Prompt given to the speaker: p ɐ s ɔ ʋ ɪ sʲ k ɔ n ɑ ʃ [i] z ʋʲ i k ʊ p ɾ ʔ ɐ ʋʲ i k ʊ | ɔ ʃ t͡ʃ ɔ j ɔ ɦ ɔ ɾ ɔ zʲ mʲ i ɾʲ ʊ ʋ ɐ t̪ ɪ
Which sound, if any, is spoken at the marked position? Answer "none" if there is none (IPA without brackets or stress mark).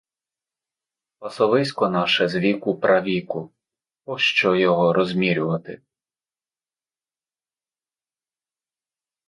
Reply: ɛ